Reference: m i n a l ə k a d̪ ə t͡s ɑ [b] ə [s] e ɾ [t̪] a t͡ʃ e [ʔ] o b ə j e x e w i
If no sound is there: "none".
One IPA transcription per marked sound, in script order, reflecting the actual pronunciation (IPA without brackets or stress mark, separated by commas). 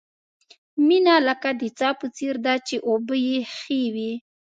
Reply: p, t͡s, d̪, ʔ